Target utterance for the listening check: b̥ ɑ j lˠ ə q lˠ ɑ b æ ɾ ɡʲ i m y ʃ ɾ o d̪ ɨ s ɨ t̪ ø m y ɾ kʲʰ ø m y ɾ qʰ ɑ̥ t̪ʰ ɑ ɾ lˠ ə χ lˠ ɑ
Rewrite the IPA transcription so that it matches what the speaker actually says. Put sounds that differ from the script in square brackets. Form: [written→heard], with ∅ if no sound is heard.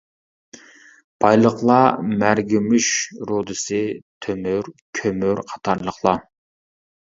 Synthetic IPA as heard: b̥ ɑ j lˠ ə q lˠ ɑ [b→m] æ ɾ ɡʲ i m y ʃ ɾ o d̪ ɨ s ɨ [t̪→t̪ʰ] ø m y ɾ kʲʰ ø m y ɾ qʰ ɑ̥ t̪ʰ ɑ ɾ lˠ ə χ lˠ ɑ